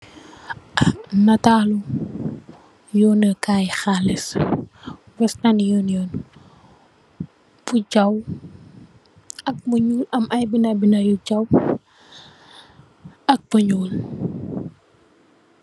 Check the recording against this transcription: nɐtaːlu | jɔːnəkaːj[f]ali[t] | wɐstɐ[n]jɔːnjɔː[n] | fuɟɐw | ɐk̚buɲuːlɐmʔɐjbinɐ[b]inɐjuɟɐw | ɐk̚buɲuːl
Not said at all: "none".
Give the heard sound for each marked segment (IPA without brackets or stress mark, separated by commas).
x, s, n, n, b